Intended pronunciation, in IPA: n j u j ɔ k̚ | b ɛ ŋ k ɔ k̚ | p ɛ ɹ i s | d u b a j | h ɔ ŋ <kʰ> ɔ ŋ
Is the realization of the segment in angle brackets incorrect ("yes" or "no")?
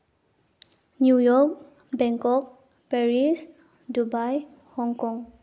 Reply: yes